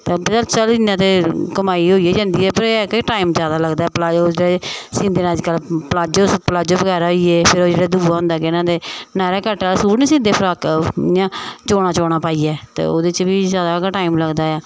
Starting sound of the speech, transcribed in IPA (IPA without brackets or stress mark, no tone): t̪